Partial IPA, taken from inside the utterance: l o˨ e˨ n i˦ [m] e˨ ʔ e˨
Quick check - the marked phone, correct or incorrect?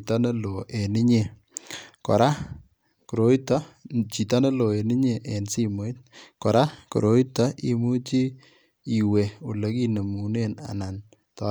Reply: incorrect